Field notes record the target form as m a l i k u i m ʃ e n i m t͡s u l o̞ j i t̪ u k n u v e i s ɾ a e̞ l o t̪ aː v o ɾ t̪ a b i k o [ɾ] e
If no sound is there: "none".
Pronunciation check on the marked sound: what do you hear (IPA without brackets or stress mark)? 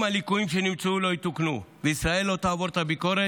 ɾ